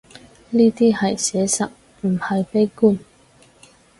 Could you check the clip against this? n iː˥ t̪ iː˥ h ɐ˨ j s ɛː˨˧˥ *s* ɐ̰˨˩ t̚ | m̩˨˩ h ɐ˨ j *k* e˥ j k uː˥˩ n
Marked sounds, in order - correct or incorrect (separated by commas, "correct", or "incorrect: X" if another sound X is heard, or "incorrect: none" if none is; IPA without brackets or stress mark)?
correct, incorrect: p